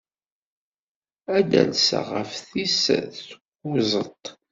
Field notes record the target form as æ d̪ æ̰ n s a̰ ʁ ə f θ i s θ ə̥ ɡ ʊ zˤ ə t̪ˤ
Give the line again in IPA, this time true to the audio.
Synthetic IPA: æ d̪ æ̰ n s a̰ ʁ ə f θ i s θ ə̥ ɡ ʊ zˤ ə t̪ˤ